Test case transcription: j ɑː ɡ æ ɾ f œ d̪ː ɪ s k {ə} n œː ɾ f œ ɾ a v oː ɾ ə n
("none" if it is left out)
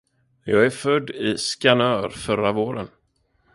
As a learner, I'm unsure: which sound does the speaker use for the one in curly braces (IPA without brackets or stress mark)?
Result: a